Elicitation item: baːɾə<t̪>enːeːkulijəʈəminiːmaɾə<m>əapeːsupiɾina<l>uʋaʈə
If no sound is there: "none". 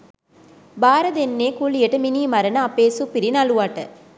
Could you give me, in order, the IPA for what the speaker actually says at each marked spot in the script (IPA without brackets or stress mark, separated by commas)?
d̪, n, l